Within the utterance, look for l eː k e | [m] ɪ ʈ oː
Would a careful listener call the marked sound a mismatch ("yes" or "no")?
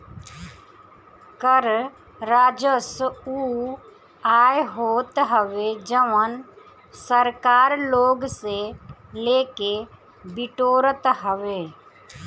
yes